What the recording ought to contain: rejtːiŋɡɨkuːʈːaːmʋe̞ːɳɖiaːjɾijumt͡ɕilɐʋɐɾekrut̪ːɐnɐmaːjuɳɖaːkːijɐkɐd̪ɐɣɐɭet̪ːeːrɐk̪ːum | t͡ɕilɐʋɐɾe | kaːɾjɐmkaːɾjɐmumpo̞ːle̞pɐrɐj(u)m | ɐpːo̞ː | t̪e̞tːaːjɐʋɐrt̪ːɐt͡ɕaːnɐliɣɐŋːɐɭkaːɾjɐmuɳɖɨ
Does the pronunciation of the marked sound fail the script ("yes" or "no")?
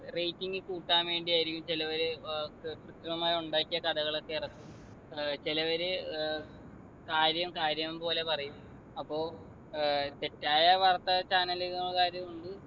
no